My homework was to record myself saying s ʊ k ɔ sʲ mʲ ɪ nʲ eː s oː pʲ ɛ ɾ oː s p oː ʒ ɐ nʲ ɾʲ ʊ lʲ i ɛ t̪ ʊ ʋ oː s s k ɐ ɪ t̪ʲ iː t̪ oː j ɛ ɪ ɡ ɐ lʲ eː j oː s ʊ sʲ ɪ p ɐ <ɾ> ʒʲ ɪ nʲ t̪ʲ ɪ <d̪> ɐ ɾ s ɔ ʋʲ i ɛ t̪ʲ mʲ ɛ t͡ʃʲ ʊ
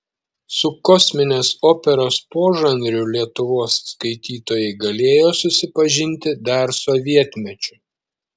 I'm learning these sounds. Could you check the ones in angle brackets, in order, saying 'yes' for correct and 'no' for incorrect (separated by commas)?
no, yes